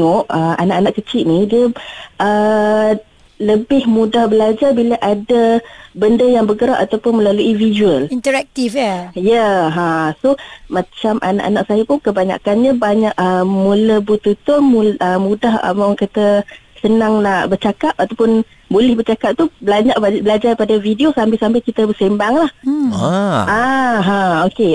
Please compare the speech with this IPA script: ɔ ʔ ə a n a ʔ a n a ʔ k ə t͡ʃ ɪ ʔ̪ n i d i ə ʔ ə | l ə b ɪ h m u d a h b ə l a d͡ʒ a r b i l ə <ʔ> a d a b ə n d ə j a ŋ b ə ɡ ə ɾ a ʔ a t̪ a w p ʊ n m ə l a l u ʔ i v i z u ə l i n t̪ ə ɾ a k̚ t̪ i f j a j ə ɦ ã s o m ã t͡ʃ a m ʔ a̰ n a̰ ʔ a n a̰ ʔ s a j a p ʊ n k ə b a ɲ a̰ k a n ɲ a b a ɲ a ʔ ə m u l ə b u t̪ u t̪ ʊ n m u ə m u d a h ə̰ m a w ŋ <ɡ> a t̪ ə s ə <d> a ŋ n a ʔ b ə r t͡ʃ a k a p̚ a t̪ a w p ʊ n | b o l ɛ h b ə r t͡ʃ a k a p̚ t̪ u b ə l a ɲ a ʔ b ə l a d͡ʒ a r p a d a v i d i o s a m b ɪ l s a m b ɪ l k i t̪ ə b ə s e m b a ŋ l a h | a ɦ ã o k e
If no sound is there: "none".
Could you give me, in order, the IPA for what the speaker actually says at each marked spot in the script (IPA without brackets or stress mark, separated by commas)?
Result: ʔ, k, n